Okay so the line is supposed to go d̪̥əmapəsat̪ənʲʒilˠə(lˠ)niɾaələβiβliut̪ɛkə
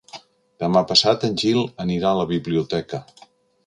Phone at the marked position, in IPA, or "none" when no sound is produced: none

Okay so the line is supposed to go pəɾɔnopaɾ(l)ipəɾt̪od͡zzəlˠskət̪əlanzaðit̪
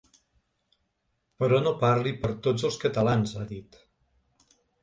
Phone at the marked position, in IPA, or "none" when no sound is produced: l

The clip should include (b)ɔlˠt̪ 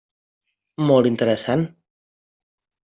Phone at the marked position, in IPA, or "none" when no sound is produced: m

